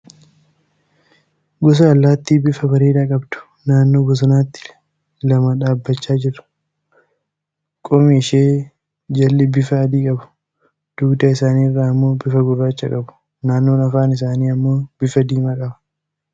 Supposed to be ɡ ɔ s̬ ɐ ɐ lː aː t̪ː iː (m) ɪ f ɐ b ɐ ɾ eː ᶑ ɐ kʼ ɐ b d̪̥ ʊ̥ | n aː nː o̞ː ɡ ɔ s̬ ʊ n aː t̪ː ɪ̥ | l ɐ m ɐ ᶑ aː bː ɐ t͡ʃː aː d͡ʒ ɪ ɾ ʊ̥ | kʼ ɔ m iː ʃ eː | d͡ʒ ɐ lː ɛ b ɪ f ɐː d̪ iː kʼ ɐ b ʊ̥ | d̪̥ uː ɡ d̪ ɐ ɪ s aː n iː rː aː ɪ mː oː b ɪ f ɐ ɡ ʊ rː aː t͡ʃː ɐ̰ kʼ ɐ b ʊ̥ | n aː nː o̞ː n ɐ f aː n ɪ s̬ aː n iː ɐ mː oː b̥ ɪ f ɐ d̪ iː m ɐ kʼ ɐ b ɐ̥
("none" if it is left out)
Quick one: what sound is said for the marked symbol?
b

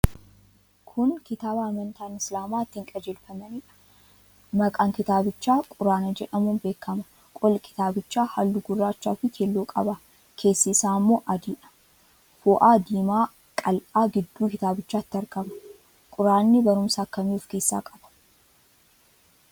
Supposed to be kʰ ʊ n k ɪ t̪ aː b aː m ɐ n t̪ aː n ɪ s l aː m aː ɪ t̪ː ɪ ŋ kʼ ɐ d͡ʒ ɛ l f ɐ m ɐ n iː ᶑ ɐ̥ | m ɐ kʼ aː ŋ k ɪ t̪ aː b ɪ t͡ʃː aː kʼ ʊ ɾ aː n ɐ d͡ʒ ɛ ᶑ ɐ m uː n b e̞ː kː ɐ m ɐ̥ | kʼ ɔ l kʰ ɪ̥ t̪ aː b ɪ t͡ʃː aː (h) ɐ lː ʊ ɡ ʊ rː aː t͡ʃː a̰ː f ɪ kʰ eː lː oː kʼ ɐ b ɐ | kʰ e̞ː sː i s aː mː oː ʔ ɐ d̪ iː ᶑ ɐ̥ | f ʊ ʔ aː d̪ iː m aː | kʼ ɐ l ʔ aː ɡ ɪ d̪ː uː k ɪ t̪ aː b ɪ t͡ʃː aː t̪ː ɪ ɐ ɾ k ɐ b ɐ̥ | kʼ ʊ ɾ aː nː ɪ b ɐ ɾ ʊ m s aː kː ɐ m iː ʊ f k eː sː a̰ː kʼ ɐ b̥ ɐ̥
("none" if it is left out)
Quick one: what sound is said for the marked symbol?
h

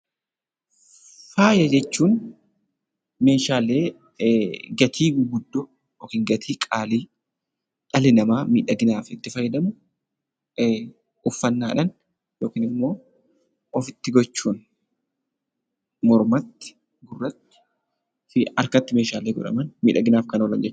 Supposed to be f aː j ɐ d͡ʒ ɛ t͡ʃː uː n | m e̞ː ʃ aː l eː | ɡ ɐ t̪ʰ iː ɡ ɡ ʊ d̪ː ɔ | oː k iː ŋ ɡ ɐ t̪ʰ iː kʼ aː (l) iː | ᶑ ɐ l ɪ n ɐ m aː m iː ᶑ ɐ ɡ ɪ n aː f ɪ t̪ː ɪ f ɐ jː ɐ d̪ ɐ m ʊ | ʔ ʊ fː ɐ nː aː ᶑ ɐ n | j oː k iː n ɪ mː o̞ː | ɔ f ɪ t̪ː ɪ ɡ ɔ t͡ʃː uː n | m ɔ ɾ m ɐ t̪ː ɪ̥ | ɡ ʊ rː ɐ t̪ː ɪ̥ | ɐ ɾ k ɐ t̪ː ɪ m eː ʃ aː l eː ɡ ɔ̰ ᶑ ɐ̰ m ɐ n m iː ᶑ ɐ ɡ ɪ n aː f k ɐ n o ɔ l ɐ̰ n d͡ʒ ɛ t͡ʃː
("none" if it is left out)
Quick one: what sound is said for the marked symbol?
l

